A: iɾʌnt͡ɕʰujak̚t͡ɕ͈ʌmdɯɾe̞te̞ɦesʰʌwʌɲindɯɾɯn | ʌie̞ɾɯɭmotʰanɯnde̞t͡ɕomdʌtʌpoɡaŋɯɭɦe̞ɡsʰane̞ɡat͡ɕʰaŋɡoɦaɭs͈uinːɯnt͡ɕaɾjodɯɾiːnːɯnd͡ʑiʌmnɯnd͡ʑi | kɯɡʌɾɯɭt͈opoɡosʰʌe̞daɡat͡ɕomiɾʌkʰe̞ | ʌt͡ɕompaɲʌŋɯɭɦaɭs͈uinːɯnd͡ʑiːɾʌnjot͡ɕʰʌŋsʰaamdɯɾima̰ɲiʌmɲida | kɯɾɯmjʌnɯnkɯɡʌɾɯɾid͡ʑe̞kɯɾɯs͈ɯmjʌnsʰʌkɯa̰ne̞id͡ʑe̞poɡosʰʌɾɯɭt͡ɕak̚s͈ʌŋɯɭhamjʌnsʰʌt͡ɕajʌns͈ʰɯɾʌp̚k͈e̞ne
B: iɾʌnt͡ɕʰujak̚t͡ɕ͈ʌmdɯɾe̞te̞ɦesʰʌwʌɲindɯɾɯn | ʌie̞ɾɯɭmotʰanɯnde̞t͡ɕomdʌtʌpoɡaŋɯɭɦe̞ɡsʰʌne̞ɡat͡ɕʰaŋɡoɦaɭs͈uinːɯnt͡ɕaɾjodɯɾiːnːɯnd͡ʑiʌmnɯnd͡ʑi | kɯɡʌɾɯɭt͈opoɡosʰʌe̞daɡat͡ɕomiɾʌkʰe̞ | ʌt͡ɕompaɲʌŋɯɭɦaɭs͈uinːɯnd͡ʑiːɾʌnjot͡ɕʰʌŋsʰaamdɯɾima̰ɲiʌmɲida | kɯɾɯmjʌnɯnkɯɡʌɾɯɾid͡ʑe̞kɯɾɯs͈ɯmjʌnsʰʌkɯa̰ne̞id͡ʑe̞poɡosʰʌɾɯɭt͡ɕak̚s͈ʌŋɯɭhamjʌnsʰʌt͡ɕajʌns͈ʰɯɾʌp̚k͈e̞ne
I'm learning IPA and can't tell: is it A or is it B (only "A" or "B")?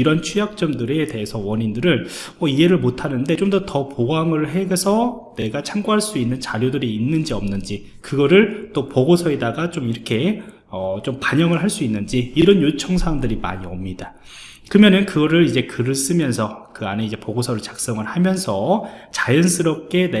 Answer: B